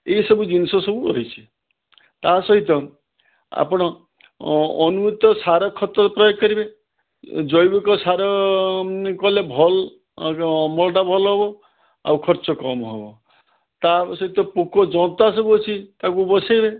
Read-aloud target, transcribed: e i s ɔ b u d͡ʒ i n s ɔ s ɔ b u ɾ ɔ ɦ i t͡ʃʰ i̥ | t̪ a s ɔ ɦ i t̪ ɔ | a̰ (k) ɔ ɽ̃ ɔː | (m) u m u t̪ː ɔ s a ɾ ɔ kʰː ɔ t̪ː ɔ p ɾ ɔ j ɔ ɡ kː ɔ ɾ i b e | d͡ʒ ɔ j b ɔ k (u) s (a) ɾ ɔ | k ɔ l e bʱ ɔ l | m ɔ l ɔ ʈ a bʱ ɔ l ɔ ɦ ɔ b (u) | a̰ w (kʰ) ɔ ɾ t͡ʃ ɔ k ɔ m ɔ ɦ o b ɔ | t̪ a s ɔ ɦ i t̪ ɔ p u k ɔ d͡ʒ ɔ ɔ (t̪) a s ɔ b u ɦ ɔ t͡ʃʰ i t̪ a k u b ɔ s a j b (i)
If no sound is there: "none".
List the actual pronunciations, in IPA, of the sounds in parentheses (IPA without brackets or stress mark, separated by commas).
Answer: p, n, ɔ, a, ɔ, kʰ, t̪, e